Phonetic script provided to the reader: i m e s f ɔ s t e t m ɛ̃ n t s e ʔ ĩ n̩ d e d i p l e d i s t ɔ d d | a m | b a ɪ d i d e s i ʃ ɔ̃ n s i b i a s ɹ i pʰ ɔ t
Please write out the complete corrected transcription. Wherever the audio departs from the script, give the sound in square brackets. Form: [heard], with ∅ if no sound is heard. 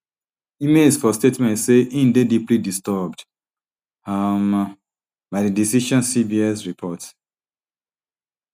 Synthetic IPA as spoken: i m e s f ɔ s t e t m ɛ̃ n t s e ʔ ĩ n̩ d e d i p l [i] d i s t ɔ [b] d | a m | b a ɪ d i d [i] s i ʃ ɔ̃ n s i b i [ɛ] s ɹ i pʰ ɔ t